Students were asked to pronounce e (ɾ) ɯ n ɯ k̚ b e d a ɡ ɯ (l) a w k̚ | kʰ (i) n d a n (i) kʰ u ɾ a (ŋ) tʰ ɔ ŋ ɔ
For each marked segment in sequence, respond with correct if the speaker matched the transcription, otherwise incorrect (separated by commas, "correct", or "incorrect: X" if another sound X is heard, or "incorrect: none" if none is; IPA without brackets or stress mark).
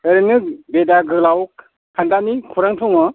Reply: correct, correct, incorrect: a, correct, correct